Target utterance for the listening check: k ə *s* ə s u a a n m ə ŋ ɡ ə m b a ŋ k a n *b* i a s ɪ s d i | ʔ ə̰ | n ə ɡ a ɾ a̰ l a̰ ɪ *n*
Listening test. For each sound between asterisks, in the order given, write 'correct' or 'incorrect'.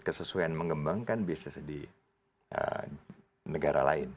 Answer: correct, correct, correct

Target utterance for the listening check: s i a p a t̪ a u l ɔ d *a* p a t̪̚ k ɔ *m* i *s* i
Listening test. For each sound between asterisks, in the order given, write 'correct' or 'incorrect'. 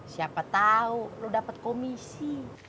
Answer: correct, correct, correct

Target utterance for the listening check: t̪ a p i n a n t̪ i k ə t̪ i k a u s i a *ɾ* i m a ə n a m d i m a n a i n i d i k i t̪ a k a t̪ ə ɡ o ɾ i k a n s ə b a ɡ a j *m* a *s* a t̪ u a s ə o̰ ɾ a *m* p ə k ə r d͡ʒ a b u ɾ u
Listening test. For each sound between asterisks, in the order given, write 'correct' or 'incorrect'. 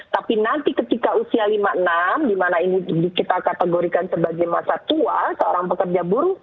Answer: incorrect: l, correct, correct, incorrect: ŋ

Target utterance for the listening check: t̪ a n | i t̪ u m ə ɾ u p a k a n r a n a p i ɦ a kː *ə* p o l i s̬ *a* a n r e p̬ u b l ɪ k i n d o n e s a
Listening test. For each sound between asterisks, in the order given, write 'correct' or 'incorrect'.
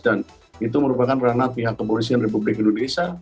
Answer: correct, incorrect: i

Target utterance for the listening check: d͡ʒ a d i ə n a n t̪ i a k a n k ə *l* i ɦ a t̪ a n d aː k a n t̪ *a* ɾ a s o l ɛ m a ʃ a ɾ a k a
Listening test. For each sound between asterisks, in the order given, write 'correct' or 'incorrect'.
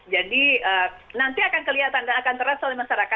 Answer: correct, incorrect: ə

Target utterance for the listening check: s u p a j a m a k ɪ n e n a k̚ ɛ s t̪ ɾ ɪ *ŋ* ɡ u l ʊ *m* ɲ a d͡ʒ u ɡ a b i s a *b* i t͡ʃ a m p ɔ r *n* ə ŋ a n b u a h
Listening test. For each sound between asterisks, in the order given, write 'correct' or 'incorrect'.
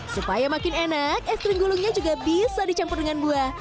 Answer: correct, incorrect: ŋ, incorrect: d, incorrect: d

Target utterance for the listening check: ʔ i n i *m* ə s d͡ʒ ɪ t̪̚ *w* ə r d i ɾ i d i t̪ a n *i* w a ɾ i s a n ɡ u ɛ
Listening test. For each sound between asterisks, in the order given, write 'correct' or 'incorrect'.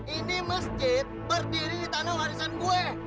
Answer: correct, incorrect: b, incorrect: a

